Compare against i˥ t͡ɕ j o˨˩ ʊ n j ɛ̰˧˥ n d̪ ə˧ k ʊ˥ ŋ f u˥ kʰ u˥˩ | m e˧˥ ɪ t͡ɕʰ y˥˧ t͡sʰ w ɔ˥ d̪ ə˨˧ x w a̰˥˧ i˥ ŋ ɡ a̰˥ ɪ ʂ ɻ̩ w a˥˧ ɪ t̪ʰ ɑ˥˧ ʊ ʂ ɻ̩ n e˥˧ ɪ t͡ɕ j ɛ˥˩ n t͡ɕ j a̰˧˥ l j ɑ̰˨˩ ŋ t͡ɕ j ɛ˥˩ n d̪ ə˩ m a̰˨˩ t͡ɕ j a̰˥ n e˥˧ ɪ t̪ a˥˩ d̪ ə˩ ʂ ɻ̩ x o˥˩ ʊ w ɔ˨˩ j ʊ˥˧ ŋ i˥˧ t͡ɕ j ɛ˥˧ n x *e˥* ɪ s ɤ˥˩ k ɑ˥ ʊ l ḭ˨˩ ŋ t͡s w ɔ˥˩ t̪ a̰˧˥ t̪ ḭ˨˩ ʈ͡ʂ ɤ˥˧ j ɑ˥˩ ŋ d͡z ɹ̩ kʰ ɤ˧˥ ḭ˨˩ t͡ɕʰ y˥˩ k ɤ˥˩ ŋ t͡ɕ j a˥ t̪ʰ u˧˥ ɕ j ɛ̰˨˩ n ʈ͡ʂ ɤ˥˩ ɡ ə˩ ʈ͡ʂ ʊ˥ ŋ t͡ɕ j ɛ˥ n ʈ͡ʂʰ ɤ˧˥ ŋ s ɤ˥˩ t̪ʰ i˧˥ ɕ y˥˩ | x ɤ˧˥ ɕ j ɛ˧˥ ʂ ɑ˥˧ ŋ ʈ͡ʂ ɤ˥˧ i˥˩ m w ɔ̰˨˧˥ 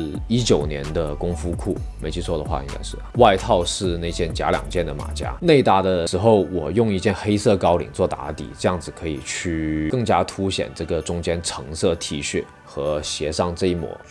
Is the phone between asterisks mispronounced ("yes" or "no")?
no